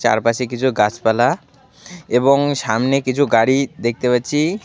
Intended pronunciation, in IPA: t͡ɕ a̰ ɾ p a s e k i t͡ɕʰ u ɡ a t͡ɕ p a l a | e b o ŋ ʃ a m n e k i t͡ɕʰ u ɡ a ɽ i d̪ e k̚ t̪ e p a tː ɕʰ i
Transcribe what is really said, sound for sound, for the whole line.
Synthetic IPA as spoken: t͡ɕ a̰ ɾ p a ʃ e k i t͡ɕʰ u ɡ a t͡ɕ p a l a | e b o ŋ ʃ a m n e k i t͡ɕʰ u ɡ a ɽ i d̪ e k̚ t̪ e p a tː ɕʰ i